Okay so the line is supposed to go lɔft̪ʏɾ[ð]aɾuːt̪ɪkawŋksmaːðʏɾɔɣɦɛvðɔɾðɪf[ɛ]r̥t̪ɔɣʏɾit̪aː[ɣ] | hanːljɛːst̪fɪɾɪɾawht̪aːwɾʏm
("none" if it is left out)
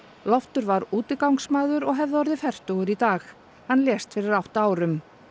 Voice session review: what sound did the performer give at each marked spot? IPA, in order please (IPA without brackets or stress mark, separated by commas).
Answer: v, ɛ, x